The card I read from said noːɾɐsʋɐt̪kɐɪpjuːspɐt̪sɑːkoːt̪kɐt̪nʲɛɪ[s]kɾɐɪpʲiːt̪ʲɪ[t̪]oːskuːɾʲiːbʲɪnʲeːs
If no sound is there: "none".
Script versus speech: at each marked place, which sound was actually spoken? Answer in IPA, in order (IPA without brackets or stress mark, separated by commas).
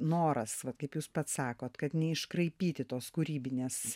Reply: ʃ, t̪